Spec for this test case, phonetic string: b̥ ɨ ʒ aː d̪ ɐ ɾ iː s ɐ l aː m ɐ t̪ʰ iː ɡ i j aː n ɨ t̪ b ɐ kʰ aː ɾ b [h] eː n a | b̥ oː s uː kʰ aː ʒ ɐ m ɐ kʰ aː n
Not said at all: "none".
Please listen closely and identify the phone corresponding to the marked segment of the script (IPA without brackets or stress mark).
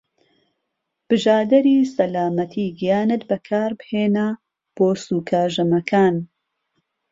h